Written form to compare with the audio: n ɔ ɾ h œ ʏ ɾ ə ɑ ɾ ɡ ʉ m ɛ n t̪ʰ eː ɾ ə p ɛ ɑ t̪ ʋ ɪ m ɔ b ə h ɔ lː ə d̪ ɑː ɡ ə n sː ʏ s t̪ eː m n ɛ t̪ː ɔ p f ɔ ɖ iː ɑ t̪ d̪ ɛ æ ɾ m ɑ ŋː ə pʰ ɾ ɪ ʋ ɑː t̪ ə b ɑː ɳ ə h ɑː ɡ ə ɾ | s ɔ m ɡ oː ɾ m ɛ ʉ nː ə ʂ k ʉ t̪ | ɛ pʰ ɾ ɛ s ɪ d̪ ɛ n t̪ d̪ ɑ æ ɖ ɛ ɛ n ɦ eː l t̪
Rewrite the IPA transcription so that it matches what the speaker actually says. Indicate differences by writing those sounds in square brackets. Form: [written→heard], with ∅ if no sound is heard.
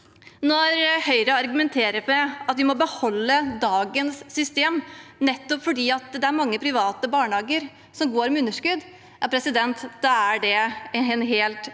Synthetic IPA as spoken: n ɔ ɾ h œ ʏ ɾ ə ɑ ɾ ɡ ʉ m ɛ n t̪ʰ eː ɾ ə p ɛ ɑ t̪ ʋ ɪ m ɔ b ə h ɔ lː ə d̪ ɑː ɡ ə n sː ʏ s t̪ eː m n ɛ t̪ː ɔ p f ɔ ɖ iː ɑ t̪ d̪ ɛ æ ɾ m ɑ ŋː ə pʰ ɾ ɪ ʋ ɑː t̪ ə b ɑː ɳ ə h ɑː ɡ ə ɾ | s ɔ m ɡ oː ɾ m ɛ ʉ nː ə ʂ k ʉ [t̪→d̪] | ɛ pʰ ɾ ɛ s ɪ d̪ ɛ n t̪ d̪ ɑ æ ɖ ɛ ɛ n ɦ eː l t̪